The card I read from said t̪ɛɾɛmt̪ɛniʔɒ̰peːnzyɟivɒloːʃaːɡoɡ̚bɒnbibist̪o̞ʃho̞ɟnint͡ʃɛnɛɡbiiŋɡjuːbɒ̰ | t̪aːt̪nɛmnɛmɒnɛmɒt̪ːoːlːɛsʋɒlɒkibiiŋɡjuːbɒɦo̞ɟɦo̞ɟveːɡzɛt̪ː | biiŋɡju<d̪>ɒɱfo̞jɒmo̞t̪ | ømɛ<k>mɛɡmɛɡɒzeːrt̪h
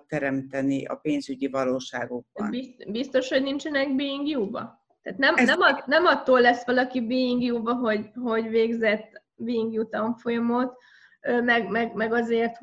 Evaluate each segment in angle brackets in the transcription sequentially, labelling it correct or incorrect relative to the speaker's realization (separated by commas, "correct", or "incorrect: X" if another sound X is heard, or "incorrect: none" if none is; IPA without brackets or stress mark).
incorrect: t̪, incorrect: ɡ